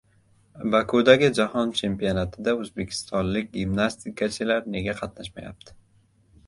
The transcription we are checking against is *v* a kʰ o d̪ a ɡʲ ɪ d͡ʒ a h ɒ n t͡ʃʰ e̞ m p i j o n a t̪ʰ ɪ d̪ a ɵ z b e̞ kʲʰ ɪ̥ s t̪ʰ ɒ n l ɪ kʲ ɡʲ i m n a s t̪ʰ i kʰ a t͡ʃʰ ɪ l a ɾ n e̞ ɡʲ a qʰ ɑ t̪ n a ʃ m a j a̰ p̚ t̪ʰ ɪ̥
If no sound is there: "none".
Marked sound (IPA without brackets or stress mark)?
b